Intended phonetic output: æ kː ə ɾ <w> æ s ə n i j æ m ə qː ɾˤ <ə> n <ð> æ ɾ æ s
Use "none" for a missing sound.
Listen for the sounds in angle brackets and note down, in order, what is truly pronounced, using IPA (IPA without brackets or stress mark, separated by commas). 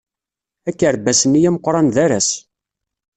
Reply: b, ɑ, ð